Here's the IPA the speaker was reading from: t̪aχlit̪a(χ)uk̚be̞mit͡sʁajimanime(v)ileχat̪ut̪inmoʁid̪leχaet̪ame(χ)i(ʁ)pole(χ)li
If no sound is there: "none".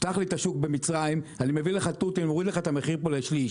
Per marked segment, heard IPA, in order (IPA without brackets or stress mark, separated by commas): ʃ, v, χ, ʁ, ʃ